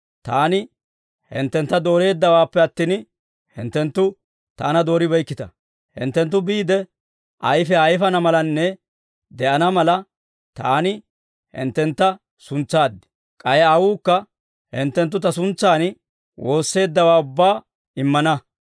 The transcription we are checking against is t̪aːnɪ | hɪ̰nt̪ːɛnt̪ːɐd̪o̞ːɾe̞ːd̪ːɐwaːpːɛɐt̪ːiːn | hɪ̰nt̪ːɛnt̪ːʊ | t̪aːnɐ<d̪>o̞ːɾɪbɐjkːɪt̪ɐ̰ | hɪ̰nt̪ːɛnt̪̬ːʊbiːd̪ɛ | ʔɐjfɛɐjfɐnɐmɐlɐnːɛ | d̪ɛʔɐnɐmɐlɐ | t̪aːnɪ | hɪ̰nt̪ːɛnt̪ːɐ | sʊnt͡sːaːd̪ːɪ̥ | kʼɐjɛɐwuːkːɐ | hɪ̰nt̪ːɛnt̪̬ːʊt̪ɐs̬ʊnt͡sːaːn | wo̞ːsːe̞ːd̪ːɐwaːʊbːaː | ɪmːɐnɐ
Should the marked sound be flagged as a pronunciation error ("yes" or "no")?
no